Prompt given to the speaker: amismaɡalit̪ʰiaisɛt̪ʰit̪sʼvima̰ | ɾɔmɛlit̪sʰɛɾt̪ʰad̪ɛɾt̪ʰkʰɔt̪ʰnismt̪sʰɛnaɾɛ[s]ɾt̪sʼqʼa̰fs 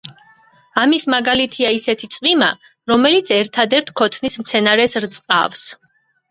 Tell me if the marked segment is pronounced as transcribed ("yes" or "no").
yes